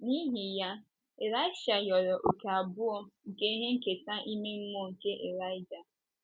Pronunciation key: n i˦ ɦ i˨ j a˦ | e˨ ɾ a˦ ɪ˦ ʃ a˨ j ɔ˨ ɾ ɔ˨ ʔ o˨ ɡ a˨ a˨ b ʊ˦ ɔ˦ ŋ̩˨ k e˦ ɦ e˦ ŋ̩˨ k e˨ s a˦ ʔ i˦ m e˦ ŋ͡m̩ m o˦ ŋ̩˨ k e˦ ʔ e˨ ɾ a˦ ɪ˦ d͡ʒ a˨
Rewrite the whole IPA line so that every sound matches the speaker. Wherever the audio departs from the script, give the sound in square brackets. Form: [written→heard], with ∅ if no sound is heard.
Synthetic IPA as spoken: n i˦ ɦ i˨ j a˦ | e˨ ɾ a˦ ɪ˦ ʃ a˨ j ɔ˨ ɾ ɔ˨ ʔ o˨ [ɡ→k] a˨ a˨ b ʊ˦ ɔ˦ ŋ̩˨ k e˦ ɦ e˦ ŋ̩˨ k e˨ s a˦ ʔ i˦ m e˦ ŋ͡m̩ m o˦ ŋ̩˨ k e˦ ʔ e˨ ɾ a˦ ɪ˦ d͡ʒ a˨